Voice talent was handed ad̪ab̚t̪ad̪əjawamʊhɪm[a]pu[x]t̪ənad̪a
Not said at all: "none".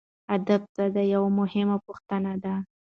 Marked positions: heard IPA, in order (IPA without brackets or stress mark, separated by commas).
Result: a, x